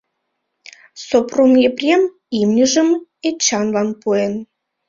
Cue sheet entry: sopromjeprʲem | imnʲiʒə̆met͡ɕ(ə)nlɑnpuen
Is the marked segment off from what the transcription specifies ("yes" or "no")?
yes